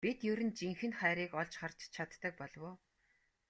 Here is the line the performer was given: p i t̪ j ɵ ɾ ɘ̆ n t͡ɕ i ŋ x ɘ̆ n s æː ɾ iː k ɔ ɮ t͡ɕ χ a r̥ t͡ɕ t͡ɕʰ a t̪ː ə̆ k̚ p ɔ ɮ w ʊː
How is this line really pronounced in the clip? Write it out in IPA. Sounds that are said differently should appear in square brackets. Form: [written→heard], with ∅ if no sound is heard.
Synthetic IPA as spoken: p i t̪ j ɵ ɾ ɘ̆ n t͡ɕ i ŋ x ɘ̆ n [s→χ] æː ɾ iː k ɔ ɮ t͡ɕ χ a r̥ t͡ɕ t͡ɕʰ a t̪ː ə̆ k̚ p ɔ ɮ w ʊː